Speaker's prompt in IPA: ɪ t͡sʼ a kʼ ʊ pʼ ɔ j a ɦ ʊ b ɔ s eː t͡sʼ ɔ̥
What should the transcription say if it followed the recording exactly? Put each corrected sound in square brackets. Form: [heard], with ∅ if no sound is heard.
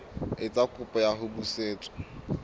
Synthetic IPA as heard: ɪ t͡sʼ a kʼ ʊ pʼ ɔ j a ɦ ʊ b [u] s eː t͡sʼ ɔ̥